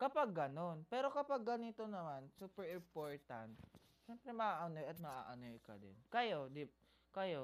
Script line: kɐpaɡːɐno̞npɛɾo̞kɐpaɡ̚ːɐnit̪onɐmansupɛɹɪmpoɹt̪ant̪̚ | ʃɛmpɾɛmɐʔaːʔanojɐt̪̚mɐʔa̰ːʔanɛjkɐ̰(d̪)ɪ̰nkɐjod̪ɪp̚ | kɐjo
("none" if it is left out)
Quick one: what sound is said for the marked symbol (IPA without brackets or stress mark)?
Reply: d̪